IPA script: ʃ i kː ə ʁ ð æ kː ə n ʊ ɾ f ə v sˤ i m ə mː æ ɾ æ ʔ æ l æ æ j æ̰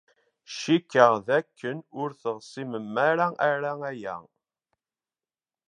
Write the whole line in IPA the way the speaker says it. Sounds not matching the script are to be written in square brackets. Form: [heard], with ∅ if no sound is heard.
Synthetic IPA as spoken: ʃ i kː ə ʁ ð æ kː ə n ʊ ɾ [θ] ə [ʁ] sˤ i m ə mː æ ɾ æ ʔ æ [ɾ] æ æ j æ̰